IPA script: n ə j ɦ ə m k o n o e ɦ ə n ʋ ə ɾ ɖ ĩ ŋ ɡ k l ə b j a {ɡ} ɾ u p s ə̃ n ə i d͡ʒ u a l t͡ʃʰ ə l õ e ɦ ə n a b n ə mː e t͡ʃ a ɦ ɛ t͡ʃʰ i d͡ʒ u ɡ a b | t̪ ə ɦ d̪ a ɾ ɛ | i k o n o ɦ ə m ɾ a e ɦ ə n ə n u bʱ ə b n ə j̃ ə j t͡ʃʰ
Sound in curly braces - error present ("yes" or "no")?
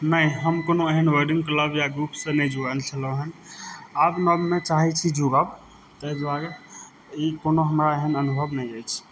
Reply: no